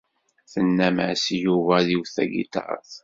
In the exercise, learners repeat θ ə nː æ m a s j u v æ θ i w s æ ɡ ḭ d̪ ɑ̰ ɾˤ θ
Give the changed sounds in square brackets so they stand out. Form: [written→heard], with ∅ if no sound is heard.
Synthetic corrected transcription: θ ə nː æ m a s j u v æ [θ→ð] i w [s→θ] æ ɡ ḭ [d̪→t̪] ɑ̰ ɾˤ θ